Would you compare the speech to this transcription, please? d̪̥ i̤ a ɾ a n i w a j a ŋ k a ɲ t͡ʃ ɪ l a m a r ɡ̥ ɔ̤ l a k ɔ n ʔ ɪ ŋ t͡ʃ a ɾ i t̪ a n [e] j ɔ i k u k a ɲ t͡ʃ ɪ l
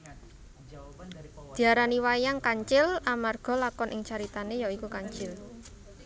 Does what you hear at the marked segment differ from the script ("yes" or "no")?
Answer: no